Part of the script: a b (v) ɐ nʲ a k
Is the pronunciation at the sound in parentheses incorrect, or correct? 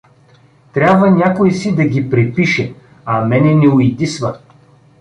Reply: correct